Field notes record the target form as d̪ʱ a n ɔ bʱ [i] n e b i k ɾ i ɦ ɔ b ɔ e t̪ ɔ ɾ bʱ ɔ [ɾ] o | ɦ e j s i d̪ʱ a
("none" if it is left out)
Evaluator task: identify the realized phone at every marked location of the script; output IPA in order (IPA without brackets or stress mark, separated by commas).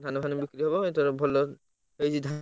a, l